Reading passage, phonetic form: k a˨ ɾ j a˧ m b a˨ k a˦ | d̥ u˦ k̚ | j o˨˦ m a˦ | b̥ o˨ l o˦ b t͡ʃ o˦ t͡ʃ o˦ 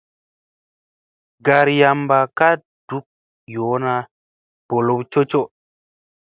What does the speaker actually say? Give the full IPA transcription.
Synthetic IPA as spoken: ɡ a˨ ɾ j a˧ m b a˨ k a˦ | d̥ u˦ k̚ | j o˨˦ n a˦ | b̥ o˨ l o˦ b t͡ʃ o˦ t͡ʃ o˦